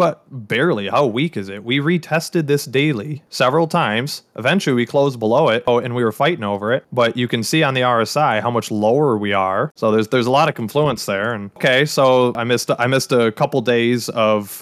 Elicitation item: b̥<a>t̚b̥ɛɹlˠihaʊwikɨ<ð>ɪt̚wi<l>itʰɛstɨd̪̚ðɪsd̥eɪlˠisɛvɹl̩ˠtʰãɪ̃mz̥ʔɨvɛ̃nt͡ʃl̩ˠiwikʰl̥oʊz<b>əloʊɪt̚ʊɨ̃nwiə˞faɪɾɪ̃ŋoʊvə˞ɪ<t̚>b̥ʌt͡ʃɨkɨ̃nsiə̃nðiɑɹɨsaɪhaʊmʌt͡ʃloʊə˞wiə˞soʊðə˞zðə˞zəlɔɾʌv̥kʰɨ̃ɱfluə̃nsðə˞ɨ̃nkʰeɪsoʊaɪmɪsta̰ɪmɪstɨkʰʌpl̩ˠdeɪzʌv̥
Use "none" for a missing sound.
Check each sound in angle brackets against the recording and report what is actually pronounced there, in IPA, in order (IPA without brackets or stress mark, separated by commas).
ʌ, z, ɹ, b, t̚